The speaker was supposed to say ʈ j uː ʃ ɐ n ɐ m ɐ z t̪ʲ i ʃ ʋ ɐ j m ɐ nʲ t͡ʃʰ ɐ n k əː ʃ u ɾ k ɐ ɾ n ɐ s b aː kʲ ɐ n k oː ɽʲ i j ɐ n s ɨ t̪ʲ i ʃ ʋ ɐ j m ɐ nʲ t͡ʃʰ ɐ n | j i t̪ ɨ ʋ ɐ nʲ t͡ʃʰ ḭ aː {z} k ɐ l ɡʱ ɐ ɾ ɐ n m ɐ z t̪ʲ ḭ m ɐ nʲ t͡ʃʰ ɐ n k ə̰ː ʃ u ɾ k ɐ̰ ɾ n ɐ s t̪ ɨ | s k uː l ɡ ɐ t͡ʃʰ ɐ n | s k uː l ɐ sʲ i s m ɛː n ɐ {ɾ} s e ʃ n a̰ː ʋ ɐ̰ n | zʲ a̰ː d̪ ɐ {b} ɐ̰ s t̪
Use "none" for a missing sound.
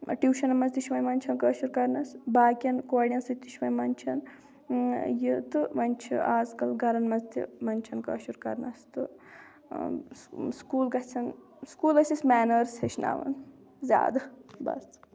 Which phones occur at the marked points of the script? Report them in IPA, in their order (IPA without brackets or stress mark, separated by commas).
z, ɾ, b